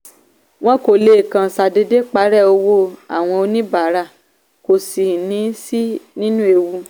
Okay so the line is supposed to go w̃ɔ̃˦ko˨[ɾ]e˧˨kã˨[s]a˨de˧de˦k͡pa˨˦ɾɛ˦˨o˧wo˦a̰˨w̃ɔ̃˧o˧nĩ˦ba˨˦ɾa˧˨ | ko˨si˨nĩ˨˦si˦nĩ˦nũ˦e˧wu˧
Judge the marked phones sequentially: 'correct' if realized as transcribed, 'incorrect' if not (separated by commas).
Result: incorrect, correct